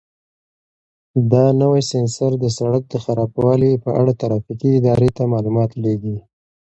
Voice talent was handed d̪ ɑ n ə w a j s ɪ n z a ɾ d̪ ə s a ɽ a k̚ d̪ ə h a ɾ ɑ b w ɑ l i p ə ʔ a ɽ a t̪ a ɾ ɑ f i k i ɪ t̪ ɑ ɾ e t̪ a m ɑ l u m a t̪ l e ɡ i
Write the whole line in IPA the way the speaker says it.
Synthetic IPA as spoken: d̪ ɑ n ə w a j s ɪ n s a ɾ d̪ ə s a ɽ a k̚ d̪ ə x a ɾ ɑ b w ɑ l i p ə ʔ a ɽ a t̪ a ɾ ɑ f i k i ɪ d̪ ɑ ɾ e t̪ a m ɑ l u m ɑ t̪ l e ɡ i